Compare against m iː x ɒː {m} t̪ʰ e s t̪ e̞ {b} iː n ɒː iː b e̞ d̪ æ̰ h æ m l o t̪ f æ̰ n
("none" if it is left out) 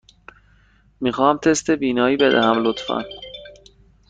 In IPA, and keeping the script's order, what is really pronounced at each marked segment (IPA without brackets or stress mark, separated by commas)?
m, b